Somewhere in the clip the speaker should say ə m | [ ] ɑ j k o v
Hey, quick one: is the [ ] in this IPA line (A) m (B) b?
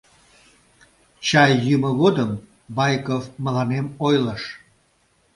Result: B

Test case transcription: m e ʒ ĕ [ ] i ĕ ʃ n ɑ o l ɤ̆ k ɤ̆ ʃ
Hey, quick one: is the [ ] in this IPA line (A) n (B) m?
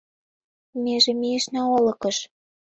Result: B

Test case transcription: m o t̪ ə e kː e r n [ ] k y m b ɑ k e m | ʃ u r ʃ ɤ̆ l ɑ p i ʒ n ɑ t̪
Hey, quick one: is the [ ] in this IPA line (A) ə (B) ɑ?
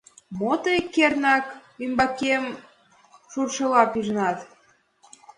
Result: B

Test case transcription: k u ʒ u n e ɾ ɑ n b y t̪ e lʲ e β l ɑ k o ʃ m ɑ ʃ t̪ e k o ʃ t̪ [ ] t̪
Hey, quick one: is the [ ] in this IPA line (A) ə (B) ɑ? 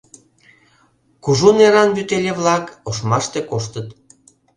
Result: A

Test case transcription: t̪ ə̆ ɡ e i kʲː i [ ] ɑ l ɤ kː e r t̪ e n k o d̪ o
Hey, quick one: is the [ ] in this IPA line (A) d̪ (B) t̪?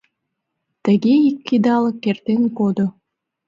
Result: A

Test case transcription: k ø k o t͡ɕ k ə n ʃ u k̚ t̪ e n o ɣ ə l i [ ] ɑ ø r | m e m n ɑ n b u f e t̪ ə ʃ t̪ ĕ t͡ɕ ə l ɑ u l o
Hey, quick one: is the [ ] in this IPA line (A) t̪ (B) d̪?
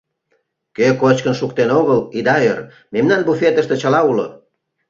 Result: B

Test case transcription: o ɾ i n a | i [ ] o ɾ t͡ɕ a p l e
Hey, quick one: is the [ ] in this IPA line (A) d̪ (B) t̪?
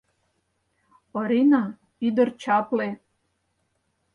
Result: A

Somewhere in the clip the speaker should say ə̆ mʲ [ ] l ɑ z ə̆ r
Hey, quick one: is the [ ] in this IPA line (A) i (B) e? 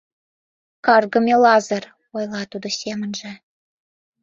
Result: B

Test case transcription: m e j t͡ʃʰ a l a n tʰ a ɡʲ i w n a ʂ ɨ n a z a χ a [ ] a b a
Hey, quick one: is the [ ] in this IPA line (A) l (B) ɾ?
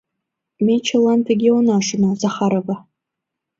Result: B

